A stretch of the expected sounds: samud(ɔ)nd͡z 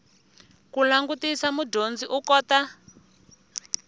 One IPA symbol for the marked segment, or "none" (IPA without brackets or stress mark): o